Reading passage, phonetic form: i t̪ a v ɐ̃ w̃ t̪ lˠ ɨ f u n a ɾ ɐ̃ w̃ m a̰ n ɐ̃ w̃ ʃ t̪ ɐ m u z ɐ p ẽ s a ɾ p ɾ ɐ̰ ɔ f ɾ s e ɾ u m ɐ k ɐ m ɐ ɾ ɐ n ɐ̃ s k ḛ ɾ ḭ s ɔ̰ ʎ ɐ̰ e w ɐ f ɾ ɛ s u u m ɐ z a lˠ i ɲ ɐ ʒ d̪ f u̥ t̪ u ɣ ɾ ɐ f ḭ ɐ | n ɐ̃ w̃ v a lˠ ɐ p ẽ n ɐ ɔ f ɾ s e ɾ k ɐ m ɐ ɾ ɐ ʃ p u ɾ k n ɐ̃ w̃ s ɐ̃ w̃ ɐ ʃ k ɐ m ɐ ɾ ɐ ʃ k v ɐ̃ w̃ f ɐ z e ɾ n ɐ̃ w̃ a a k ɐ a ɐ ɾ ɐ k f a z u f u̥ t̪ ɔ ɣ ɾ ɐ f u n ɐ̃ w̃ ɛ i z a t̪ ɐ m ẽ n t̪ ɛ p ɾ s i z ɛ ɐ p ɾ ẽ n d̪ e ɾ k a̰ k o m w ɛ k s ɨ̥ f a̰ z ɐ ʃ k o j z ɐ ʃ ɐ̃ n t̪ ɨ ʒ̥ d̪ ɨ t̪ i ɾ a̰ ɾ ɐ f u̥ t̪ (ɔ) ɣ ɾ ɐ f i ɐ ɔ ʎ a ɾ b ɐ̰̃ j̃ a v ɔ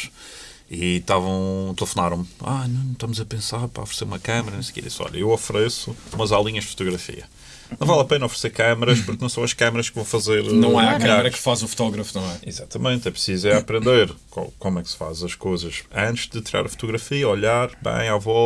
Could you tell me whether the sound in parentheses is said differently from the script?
yes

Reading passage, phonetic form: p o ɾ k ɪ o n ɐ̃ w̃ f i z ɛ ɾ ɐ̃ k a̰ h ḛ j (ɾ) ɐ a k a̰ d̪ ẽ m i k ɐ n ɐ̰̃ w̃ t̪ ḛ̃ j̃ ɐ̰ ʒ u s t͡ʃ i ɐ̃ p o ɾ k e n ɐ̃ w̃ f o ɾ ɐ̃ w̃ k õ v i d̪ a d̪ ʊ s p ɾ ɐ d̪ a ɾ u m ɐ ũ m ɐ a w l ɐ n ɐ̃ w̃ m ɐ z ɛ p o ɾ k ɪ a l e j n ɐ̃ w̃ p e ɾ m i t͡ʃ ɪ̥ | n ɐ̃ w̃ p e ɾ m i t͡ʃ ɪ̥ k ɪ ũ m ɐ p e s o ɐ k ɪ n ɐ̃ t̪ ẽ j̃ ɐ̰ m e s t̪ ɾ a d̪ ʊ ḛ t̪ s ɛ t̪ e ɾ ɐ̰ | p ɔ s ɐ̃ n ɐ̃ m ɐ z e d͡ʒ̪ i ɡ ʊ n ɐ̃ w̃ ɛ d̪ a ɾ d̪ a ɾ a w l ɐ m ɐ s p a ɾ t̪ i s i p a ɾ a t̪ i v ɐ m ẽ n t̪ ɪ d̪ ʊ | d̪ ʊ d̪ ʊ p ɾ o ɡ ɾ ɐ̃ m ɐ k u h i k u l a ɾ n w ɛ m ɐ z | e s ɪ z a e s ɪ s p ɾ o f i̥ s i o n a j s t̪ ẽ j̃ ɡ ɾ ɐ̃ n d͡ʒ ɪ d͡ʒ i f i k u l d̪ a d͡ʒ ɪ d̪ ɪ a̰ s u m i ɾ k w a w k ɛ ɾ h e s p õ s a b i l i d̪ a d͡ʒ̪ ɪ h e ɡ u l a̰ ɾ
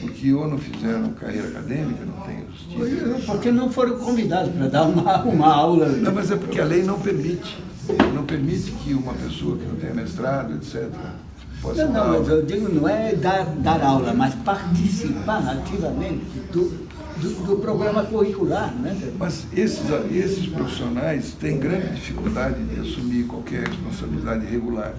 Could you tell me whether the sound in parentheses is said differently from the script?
no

